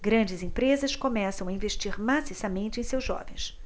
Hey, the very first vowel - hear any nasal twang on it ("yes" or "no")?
yes